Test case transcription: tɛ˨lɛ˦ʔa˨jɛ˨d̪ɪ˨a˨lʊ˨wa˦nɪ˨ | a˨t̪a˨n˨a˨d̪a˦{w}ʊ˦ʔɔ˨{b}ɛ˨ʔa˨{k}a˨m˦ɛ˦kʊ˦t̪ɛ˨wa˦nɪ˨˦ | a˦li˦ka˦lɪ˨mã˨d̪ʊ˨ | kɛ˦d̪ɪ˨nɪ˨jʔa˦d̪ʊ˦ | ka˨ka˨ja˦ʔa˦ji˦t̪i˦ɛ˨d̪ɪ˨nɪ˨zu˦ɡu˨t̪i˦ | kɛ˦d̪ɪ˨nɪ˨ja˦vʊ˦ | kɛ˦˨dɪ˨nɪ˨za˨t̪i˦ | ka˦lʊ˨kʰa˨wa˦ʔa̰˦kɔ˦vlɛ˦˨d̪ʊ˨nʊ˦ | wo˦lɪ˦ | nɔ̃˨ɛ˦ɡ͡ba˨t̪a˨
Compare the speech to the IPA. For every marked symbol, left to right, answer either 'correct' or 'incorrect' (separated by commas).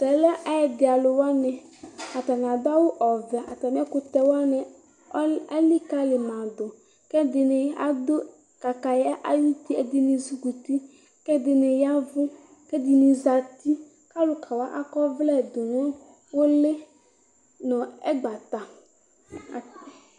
correct, incorrect, incorrect